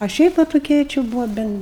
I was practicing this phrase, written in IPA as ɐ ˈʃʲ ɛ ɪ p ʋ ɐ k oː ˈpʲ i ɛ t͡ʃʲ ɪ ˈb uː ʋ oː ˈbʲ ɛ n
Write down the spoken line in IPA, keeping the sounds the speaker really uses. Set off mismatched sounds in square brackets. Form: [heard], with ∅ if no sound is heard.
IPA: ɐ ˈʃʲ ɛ ɪ p ʋ ɐ [t] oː [ˈkʲ] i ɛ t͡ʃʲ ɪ ˈb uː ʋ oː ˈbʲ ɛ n